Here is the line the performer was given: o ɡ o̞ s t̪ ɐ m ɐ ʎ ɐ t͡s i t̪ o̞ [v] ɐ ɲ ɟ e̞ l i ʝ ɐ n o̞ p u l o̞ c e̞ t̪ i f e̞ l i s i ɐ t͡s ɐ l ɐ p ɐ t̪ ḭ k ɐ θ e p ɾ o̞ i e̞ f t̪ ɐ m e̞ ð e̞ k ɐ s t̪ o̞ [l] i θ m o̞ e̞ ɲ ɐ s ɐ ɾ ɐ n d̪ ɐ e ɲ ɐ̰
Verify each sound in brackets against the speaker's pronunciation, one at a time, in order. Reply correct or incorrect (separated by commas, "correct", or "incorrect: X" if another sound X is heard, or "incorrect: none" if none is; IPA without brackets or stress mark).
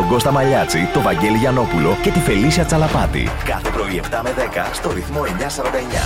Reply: correct, incorrect: ɾ